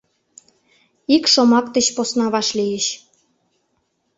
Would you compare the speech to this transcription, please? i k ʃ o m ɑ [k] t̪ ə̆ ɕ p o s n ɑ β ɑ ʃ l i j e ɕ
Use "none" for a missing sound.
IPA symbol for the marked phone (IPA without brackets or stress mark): k